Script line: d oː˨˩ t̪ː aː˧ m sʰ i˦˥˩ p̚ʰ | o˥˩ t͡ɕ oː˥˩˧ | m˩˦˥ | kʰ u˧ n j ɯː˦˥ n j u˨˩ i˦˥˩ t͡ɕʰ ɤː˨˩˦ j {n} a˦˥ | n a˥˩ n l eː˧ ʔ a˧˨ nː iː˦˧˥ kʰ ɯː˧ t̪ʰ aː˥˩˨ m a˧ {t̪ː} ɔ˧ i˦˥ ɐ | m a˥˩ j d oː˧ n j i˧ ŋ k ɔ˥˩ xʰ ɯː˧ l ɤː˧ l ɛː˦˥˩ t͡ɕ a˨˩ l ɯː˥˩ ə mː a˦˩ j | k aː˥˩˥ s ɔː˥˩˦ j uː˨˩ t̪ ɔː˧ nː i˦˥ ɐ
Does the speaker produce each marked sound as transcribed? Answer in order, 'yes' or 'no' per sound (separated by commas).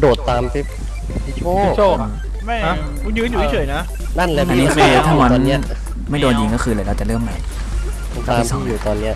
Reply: yes, no